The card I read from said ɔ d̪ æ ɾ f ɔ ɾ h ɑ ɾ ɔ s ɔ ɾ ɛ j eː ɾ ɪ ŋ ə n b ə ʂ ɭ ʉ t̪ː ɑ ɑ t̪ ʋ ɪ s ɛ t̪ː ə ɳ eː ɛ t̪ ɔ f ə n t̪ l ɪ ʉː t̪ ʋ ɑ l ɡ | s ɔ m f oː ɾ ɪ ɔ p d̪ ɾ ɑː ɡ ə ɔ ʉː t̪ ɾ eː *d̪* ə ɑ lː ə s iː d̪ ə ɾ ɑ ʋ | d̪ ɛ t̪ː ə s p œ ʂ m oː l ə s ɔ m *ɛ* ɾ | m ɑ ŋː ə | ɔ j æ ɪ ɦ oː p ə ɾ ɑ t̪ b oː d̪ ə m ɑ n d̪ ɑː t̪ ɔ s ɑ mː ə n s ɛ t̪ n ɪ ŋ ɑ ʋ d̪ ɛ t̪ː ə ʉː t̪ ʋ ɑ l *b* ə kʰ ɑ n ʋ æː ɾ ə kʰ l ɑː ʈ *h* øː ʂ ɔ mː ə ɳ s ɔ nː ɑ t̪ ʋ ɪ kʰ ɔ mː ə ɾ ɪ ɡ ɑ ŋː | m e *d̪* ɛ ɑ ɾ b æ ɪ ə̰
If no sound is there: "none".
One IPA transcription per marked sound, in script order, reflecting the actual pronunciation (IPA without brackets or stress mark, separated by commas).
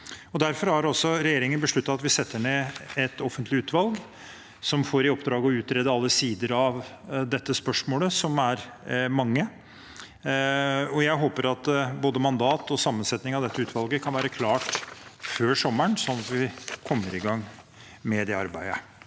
d̪, æ, ɡ, f, d̪